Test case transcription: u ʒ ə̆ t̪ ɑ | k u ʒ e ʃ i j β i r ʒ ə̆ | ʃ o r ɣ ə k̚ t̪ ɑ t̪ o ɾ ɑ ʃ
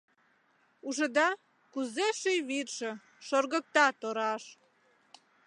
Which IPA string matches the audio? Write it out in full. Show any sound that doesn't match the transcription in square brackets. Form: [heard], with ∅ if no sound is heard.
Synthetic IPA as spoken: u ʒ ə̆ [d̪] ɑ | k u [z] e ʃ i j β i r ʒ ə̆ | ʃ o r ɣ ə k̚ t̪ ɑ t̪ o ɾ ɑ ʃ